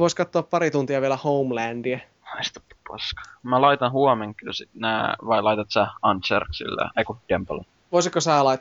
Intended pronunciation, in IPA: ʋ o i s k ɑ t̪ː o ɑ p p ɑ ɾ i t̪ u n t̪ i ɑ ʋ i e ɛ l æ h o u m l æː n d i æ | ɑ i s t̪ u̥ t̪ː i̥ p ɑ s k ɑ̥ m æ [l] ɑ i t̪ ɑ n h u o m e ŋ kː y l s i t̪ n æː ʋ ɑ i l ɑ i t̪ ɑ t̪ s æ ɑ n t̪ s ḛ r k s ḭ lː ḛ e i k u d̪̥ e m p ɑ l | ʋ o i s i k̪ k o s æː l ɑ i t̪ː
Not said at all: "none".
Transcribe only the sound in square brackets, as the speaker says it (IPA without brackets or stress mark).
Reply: l